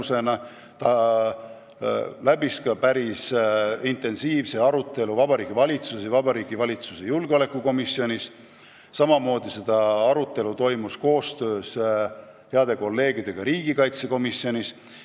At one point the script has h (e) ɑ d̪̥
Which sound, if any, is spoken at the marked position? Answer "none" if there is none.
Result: e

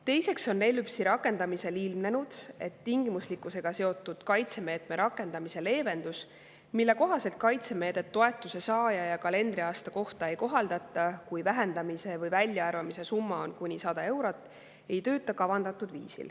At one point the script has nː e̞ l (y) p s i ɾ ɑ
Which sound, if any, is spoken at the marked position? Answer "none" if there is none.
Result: y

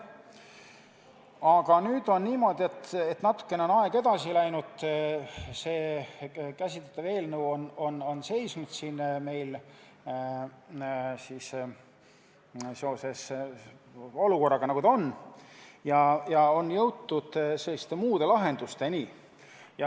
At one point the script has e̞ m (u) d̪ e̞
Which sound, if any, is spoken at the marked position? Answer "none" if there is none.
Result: uː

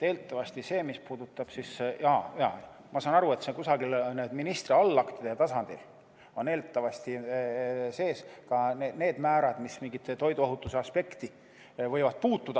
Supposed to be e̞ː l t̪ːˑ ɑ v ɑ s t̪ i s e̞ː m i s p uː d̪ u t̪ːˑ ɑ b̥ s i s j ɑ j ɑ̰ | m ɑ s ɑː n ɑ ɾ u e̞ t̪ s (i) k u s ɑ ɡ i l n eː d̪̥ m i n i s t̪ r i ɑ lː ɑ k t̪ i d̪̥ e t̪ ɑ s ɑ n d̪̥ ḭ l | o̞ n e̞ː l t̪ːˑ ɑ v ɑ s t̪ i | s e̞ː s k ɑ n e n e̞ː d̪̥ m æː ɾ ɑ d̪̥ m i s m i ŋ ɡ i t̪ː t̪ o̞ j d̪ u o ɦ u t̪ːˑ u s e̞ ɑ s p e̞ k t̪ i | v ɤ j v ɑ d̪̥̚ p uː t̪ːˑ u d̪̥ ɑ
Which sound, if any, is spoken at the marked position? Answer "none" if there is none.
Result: e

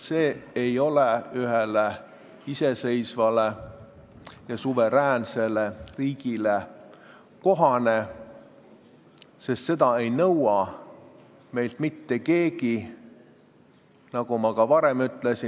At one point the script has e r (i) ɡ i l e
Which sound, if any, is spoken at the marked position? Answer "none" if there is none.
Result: iː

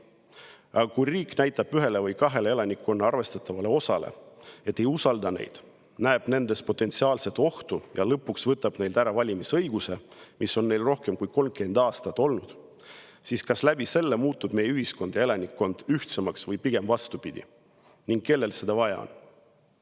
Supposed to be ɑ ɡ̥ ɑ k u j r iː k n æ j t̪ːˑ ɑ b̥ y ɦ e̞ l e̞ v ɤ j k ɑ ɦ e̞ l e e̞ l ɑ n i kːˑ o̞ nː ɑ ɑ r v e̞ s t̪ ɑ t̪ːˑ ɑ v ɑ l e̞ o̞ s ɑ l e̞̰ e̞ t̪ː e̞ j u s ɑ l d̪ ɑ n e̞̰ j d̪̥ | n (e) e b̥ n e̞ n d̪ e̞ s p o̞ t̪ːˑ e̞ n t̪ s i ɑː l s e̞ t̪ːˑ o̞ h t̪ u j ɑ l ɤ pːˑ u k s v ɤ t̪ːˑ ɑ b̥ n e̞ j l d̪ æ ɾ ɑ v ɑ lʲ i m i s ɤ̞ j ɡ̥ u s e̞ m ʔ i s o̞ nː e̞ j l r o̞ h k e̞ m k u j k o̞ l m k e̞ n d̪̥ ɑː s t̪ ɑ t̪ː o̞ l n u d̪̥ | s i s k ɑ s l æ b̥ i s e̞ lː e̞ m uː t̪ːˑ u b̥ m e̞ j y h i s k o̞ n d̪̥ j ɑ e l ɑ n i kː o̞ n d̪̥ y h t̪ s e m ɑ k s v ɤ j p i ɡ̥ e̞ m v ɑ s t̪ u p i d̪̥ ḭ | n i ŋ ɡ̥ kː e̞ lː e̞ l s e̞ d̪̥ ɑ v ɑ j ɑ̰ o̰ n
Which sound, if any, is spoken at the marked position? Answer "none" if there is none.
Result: æ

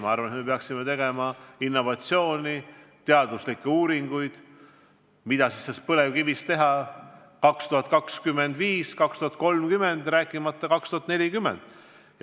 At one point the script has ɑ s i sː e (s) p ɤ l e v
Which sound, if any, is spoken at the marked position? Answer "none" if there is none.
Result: s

